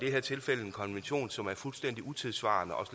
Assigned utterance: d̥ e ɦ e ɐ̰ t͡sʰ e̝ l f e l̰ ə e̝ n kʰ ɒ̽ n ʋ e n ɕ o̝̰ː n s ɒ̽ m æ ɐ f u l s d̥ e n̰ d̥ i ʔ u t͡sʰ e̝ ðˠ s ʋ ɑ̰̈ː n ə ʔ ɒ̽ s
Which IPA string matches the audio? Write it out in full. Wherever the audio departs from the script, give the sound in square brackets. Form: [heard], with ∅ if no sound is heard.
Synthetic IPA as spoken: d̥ e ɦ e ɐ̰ t͡sʰ e̝ l f e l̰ ə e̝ n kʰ ɒ̽ n ʋ e n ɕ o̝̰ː n s ɒ̽ m æ ɐ f u l s d̥ e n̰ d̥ i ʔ u t͡sʰ e̝ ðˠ s ʋ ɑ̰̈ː n ə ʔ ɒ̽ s